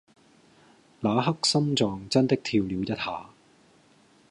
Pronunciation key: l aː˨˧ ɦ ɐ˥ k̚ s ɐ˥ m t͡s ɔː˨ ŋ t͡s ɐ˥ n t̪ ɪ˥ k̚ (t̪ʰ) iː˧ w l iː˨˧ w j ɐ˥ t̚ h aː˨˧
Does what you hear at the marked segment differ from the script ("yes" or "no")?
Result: no